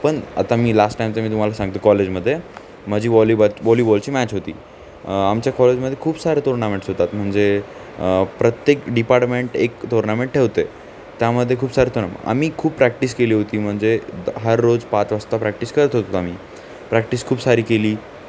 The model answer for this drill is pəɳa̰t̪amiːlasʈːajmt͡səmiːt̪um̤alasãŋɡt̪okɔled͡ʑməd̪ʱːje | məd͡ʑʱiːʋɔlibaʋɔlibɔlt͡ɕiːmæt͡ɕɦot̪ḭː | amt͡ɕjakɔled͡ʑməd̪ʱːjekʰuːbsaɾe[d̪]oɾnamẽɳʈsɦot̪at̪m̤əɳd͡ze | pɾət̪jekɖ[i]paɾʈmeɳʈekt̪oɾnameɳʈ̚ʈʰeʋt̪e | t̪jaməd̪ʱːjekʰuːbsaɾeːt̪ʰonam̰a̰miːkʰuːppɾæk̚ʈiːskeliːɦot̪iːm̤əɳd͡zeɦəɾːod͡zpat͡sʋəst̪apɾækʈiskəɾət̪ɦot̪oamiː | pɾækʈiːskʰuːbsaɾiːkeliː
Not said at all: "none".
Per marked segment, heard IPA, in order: t̪, i

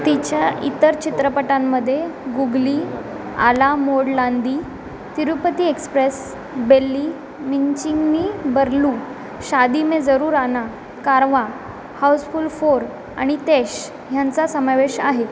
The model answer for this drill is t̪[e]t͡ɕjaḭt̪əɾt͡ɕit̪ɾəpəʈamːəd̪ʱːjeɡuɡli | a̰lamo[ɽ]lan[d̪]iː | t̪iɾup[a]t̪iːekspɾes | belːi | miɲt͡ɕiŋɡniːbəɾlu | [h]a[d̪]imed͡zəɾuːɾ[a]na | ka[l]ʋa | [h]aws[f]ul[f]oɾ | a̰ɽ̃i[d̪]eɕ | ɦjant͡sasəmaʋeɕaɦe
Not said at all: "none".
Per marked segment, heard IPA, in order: i, ɽ, d̪, ə, ɕ, d̪, a, ɾ, h, f, f, t̪

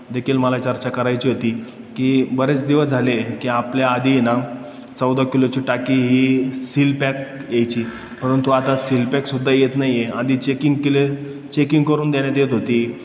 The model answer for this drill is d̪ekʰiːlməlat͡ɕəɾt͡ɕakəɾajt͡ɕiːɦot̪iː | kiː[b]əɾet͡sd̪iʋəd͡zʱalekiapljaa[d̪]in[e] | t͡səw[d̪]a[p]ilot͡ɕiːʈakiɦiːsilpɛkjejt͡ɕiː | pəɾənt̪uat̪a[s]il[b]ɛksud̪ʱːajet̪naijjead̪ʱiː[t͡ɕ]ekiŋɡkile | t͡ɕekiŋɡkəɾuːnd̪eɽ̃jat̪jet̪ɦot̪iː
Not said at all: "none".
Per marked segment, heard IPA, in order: b, d̪, a, d̪, k, s, p, t͡ɕ

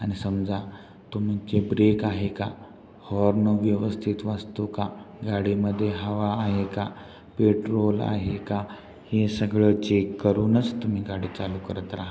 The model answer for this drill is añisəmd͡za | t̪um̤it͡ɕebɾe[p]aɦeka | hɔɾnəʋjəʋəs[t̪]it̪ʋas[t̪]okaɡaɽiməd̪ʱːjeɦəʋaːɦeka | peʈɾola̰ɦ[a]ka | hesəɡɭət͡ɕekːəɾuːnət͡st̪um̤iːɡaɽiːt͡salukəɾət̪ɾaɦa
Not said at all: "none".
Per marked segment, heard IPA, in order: k, t̪ʰ, t̪, e

